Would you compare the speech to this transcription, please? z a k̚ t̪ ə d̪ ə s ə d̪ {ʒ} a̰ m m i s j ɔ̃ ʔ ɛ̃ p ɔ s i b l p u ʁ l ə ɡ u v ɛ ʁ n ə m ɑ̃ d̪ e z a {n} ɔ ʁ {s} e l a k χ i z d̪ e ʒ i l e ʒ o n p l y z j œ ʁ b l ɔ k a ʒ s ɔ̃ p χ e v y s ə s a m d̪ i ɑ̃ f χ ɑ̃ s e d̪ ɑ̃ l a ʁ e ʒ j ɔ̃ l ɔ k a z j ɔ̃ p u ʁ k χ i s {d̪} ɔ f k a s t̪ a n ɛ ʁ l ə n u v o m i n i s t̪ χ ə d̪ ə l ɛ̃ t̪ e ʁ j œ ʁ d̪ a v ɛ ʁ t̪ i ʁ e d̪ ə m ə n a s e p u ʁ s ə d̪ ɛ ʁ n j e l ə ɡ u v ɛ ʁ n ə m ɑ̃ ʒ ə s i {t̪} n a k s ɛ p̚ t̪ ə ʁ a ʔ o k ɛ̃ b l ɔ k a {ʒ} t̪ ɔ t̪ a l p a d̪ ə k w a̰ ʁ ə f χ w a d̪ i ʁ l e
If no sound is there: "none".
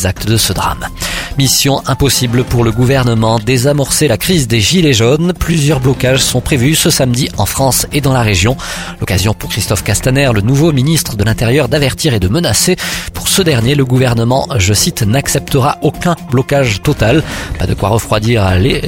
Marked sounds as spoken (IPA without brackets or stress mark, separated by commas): ʁ, m, s, t̪, t̪, ʒ